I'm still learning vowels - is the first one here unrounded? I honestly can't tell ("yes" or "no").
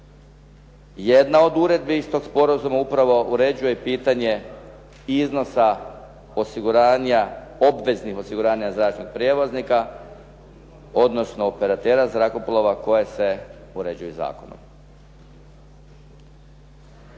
yes